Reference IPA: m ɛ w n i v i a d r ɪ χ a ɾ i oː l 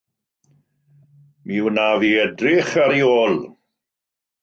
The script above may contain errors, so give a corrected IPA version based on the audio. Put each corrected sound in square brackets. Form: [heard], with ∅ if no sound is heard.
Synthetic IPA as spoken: m [i] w n [a] v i [ɛ] d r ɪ χ a ɾ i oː l